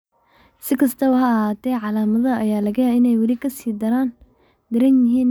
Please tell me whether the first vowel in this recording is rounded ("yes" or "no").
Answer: no